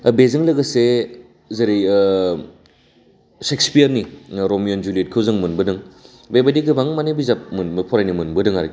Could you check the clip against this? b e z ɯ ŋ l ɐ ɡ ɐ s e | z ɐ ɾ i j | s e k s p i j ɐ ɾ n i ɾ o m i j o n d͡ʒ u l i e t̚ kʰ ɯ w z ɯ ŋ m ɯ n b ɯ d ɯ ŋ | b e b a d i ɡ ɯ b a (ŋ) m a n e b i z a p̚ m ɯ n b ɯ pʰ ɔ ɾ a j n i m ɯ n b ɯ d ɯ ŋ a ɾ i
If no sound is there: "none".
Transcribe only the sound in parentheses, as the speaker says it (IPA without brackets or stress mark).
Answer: ŋ